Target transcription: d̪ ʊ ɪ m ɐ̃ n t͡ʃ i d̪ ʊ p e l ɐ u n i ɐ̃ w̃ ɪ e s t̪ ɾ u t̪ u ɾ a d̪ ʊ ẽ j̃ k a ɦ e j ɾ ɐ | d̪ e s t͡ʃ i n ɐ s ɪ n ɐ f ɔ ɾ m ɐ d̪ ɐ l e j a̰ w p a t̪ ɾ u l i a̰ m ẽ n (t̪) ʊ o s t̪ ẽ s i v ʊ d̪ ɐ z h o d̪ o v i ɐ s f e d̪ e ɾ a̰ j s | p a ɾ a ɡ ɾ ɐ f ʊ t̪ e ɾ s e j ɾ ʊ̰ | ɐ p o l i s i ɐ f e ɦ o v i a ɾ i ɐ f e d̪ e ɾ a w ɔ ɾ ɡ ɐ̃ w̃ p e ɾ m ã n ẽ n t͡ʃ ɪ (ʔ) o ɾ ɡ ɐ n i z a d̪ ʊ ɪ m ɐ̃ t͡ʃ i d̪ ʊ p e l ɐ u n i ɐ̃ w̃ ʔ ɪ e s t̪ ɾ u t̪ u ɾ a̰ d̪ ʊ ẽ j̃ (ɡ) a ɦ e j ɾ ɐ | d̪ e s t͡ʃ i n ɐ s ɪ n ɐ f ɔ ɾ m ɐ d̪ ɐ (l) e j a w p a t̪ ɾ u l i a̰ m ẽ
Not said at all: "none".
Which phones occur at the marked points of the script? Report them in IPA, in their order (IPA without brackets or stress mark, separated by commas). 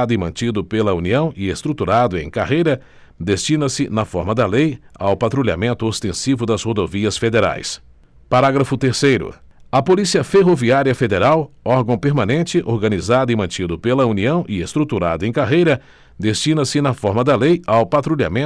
t̪, ʔ, k, l